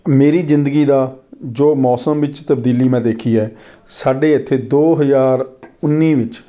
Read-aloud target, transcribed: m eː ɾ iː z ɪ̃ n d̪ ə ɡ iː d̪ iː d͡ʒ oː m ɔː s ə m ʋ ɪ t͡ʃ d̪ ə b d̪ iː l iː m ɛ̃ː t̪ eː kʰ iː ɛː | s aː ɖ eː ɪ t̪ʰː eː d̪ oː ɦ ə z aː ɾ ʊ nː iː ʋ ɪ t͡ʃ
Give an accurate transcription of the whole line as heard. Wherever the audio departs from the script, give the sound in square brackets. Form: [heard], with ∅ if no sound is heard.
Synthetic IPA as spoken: m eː ɾ iː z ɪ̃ n d̪ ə ɡ iː d̪ [aː] d͡ʒ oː m ɔː s ə m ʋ ɪ t͡ʃ [t̪] ə b d̪ iː l iː m ɛ̃ː [d̪] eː kʰ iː ɛː | s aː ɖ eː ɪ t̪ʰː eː d̪ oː ɦ ə z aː ɾ ʊ nː iː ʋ ɪ t͡ʃ

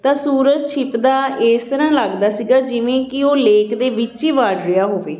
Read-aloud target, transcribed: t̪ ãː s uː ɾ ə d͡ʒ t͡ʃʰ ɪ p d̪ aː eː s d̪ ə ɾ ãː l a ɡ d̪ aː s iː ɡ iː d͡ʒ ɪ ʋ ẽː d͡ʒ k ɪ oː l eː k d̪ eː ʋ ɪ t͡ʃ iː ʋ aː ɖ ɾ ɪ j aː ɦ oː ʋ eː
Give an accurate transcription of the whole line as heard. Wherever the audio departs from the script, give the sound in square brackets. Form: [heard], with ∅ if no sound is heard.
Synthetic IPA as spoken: t̪ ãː s uː ɾ ə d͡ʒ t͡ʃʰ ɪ p d̪ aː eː s [t̪] ə ɾ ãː l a ɡ d̪ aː s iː ɡ [aː] d͡ʒ ɪ ʋ ẽː [∅] k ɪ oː l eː k d̪ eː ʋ ɪ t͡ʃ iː ʋ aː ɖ ɾ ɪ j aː ɦ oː ʋ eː

